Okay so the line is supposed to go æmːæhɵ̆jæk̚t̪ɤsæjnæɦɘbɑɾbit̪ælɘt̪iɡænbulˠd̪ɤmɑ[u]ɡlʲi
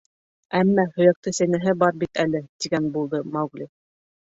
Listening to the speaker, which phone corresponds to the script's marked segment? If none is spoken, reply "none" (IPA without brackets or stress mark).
w